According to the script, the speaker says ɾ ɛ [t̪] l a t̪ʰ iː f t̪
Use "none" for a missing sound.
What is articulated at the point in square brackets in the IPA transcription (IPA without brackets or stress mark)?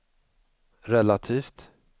none